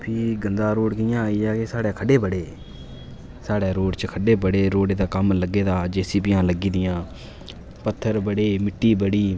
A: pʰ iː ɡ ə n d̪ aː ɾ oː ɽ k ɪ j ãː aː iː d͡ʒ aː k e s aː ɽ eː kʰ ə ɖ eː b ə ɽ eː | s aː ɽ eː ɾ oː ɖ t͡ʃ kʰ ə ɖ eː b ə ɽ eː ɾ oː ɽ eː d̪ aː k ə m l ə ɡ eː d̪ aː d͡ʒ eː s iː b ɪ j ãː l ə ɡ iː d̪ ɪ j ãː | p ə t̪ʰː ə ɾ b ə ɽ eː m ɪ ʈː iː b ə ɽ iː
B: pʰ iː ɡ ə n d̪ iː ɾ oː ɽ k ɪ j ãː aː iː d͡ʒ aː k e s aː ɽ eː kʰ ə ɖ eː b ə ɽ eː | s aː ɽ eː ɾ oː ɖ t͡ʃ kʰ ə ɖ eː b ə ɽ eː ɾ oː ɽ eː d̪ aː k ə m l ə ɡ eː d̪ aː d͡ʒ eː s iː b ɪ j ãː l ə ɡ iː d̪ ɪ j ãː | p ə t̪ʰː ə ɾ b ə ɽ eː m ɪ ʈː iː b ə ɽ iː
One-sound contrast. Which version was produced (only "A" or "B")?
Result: A